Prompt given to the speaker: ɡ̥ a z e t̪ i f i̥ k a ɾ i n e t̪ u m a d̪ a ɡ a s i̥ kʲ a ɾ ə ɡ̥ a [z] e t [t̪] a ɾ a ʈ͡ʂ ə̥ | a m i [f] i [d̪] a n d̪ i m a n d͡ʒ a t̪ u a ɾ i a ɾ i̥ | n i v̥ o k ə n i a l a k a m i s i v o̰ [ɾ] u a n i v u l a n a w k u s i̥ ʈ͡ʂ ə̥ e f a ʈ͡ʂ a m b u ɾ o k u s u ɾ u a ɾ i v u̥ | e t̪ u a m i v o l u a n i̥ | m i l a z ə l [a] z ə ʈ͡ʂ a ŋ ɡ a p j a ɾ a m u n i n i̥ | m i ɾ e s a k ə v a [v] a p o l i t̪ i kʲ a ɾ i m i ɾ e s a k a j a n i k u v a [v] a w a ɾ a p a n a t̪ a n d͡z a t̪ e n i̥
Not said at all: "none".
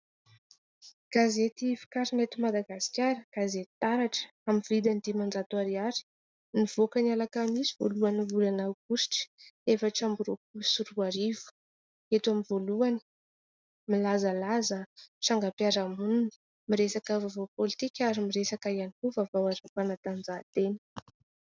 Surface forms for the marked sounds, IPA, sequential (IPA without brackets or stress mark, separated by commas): z, t̪, v, d̪, l, a, v, v